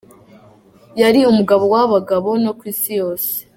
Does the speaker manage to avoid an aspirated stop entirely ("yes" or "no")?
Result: yes